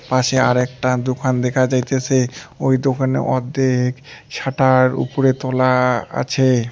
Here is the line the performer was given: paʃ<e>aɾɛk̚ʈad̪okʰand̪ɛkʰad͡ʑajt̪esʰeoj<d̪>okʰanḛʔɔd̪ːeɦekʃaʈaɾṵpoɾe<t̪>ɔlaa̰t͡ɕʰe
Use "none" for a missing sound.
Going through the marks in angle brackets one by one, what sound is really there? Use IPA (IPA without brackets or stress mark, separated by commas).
e, d̪, t̪